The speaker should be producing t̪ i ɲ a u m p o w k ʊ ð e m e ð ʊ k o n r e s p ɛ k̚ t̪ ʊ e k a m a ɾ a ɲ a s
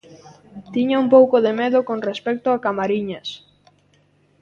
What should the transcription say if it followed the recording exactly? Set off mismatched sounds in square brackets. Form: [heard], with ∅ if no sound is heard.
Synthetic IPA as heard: t̪ i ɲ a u m p o w k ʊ ð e m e ð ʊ k o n r e s p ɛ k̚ t̪ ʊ [a] k a m a ɾ [i] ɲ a s